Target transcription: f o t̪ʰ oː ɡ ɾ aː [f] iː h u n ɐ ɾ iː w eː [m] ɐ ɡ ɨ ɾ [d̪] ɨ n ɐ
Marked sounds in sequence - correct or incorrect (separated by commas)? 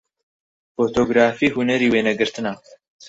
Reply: correct, incorrect, incorrect